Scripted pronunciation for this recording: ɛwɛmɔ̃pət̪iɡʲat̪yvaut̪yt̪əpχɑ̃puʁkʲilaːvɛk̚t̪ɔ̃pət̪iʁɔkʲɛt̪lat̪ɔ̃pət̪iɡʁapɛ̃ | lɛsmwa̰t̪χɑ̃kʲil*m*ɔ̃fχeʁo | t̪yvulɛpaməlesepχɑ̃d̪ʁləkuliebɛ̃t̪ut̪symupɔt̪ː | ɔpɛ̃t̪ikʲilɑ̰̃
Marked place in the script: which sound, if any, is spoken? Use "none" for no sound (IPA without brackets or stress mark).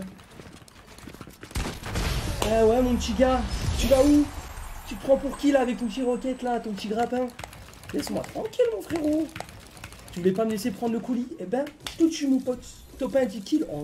m